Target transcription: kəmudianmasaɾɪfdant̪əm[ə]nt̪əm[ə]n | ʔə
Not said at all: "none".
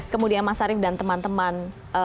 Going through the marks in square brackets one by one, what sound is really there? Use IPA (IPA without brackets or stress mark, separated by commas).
a, a